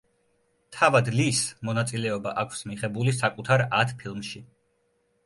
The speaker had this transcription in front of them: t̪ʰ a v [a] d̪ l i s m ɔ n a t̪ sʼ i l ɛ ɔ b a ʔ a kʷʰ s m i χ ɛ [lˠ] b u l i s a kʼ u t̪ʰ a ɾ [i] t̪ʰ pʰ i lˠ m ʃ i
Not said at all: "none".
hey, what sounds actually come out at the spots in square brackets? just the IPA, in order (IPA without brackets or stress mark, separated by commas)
a, none, a